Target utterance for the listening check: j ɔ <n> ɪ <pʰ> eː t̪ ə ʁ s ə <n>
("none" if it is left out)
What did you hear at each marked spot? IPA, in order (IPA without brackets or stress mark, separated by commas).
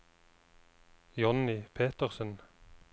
n, pʰ, n